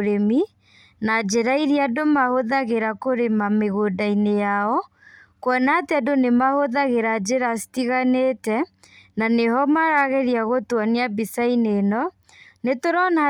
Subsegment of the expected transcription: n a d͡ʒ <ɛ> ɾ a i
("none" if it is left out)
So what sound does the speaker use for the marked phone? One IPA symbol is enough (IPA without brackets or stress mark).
e